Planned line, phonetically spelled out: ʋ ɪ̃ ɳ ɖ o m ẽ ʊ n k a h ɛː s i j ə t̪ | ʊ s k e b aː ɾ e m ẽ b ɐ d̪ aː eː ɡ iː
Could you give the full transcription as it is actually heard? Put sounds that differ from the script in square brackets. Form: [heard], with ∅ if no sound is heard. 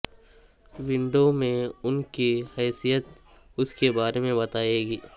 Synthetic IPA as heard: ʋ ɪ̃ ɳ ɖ o m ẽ ʊ n k [i] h ɛː s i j ə t̪ | ʊ s k e b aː ɾ e m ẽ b ɐ [t̪] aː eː ɡ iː